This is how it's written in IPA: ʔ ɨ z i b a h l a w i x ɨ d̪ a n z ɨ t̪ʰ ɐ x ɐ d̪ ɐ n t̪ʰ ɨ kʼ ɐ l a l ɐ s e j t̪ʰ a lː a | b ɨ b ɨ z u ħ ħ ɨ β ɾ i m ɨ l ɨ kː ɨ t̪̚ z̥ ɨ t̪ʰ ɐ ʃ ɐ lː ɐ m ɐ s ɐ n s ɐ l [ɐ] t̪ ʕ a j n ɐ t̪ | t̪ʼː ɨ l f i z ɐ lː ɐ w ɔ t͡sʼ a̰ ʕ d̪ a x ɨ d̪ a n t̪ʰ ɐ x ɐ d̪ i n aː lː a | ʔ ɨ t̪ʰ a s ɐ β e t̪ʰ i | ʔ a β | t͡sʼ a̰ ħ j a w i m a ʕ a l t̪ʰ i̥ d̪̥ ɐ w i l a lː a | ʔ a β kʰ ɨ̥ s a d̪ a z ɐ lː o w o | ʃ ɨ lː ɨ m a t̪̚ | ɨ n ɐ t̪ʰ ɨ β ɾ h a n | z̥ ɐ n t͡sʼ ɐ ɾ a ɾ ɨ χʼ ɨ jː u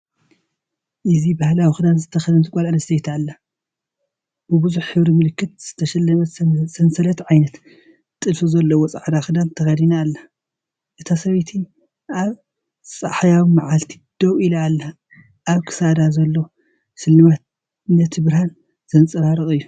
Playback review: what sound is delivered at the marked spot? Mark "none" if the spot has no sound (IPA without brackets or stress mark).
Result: ɐ